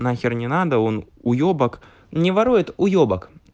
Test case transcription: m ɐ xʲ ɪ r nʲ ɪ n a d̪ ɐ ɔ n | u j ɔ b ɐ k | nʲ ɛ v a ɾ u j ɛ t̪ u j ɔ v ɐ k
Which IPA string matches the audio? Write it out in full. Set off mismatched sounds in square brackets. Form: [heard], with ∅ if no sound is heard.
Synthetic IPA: [n] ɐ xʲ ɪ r nʲ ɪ n a d̪ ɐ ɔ n | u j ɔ b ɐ k | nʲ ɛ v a ɾ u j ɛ t̪ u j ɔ [b] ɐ k

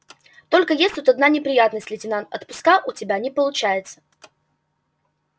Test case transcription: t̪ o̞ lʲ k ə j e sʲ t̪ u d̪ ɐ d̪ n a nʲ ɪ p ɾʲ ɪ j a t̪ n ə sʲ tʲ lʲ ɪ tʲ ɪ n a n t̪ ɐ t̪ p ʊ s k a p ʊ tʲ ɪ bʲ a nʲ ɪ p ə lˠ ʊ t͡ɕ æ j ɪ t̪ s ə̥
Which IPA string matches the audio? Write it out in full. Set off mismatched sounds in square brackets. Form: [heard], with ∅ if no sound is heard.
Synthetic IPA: t̪ o̞ lʲ k ə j e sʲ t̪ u [t̪] ɐ d̪ n a nʲ ɪ p ɾʲ ɪ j a t̪ n ə sʲ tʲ lʲ ɪ tʲ ɪ n a n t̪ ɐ t̪ p ʊ s k a [ʔ] ʊ tʲ ɪ bʲ a nʲ ɪ p ə lˠ ʊ t͡ɕ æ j ɪ t̪ s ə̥

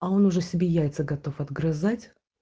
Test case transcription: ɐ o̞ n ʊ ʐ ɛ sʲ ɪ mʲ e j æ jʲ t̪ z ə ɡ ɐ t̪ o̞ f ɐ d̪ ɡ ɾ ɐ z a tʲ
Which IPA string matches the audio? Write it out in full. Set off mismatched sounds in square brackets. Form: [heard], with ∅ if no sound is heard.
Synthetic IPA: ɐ o̞ n ʊ ʐ ɛ sʲ ɪ [bʲ] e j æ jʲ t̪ [s] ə ɡ ɐ t̪ o̞ f ɐ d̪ ɡ ɾ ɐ z a tʲ

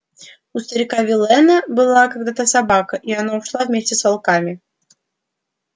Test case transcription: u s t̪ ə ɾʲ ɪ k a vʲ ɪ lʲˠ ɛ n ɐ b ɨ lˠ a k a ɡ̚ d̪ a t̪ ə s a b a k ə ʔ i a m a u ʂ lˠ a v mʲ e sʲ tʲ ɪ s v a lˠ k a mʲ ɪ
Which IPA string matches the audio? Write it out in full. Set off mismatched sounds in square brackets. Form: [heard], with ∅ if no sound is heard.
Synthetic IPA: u s t̪ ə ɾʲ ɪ k a vʲ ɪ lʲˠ ɛ n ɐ b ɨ lˠ a k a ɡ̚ d̪ a t̪ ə s a b a k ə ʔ i a [n] a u ʂ lˠ a v mʲ e sʲ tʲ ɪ s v a lˠ k a mʲ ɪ

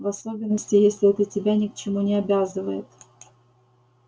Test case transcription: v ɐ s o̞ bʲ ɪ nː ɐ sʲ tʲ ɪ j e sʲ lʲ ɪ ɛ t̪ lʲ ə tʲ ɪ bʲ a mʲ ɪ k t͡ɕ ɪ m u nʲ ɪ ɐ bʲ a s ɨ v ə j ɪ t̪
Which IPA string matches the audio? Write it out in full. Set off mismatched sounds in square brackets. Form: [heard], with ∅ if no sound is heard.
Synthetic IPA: v ɐ s o̞ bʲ ɪ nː [ə] sʲ tʲ ɪ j e sʲ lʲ ɪ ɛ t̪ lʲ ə tʲ ɪ bʲ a [nʲ] ɪ k t͡ɕ ɪ m u nʲ ɪ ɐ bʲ a [z] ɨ v ə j ɪ t̪

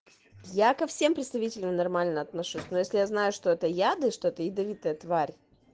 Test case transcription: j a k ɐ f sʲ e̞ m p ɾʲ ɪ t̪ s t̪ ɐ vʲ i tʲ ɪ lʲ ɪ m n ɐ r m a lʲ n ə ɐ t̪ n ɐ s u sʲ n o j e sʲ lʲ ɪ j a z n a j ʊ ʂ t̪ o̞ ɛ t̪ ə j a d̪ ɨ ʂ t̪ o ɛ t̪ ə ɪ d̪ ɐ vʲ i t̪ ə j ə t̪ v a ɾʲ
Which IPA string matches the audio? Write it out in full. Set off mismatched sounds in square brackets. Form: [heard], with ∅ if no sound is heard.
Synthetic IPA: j a k ɐ f sʲ e̞ m p ɾʲ ɪ t̪ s t̪ ɐ vʲ i tʲ ɪ lʲ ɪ m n ɐ r m a lʲ n ə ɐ t̪ n ɐ [ʂ] u sʲ n o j e sʲ lʲ ɪ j a z n a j ʊ ʂ t̪ o̞ ɛ t̪ ə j a d̪ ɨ ʂ t̪ o ɛ t̪ ə ɪ d̪ ɐ vʲ i t̪ ə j ə t̪ v a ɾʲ

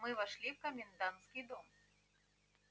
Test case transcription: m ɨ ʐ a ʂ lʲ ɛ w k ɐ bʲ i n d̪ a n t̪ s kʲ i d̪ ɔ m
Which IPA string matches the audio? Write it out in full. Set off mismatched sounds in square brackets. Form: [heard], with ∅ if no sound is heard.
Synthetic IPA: m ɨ [v] a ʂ lʲ [i] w k ɐ [mʲ] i n d̪ a n t̪ s kʲ i d̪ ɔ m

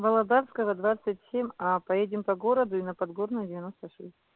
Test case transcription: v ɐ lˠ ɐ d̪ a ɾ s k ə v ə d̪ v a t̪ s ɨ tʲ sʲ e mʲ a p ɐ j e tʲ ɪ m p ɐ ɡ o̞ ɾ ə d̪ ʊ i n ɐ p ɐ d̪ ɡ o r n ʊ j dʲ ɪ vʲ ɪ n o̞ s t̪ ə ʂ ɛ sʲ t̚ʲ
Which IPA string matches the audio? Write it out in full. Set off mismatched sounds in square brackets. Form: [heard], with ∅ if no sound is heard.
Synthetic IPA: v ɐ lˠ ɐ d̪ a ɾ s k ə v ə d̪ v a t̪ s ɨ tʲ sʲ e mʲ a p ɐ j e [dʲ] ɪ m p ɐ ɡ o̞ ɾ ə d̪ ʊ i n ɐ p ɐ d̪ ɡ o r n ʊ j dʲ ɪ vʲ ɪ n o̞ s t̪ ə ʂ ɛ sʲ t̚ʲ

